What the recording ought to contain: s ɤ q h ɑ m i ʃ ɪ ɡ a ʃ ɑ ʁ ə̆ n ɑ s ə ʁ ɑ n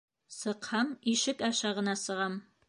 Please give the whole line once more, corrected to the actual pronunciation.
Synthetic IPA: s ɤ q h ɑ m i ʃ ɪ k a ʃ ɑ ʁ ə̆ n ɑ s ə ʁ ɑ m